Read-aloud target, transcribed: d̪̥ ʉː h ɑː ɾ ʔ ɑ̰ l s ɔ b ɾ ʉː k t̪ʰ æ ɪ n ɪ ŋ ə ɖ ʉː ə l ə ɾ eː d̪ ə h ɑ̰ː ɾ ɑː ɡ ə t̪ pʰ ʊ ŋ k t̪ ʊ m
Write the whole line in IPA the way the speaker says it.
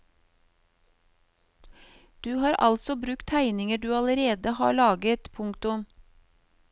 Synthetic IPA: d̪̥ ʉː h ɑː ɾ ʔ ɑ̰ l s ɔ b ɾ ʉ k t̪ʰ æ ɪ n ɪ ŋ ə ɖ ʉː ɑ l ə ɾ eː d̪ ə h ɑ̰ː ɭ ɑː ɡ ə t̪ pʰ ʊ ŋ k t̪ ʊ m